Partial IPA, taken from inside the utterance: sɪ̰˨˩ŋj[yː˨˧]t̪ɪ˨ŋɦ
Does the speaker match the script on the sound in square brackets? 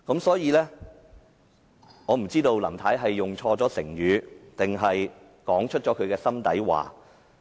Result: yes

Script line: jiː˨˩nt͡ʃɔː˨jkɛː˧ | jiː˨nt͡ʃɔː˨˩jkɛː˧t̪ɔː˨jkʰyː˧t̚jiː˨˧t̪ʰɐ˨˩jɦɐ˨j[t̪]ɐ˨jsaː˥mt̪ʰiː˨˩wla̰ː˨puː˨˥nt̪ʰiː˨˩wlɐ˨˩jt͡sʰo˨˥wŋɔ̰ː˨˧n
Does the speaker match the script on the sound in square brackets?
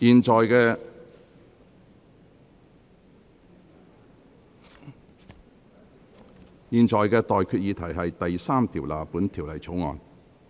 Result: yes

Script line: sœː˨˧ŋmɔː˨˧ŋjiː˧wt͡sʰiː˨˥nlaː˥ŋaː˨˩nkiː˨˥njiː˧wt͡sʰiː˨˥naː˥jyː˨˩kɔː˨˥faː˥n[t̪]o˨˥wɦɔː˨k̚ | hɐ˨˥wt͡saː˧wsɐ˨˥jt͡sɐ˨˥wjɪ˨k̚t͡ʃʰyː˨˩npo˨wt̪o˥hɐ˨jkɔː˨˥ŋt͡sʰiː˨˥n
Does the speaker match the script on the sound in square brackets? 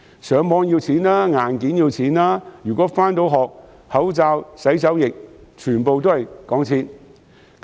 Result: yes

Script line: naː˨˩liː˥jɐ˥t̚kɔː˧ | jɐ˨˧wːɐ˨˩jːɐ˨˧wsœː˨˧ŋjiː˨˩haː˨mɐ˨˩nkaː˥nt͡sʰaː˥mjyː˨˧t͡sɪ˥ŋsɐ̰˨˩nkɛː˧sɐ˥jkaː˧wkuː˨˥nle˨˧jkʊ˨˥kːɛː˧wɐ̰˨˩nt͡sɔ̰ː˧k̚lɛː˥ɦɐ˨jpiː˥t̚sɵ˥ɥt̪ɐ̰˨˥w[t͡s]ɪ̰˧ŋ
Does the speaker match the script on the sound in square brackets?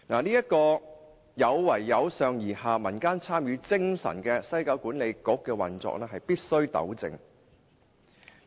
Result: yes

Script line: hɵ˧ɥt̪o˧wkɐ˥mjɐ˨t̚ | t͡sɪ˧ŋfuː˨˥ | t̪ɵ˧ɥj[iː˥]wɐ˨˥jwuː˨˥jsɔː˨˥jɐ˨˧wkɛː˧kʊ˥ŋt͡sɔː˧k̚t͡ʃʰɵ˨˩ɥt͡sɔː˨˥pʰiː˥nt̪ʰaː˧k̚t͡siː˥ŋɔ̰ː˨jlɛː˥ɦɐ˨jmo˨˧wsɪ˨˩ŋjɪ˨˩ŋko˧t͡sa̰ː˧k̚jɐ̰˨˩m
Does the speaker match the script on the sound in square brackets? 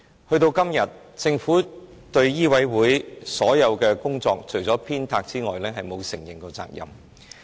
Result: yes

